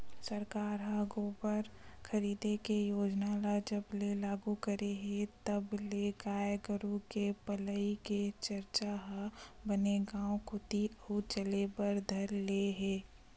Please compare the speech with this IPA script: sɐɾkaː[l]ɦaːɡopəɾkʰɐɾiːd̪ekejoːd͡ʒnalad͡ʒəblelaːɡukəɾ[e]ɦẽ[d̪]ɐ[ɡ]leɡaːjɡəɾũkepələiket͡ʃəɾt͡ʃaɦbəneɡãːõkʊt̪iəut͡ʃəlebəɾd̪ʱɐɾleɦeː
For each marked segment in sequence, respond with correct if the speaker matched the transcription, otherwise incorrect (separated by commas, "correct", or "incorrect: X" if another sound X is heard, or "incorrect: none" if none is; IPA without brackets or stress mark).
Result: incorrect: ɾ, correct, incorrect: t̪, incorrect: b